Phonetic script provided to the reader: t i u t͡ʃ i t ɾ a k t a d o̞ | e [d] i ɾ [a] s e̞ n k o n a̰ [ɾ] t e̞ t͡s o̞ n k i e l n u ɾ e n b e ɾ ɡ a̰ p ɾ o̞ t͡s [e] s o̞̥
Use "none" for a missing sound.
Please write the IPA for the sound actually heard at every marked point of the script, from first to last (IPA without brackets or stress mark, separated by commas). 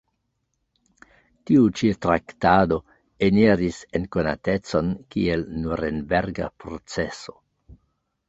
n, i, none, e